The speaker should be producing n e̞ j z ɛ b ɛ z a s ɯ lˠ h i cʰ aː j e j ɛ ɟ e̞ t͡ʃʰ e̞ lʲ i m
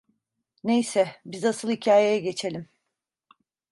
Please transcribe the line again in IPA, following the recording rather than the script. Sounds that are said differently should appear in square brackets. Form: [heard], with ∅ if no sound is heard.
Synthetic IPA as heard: n e̞ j [s] ɛ b [i] z a s ɯ lˠ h i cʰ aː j e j ɛ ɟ e̞ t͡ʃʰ e̞ lʲ i m